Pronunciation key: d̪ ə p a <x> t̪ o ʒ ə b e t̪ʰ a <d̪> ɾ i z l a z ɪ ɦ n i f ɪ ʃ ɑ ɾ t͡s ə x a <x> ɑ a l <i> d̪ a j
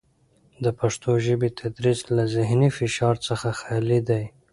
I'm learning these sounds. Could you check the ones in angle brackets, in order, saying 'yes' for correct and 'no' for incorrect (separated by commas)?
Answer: no, yes, yes, yes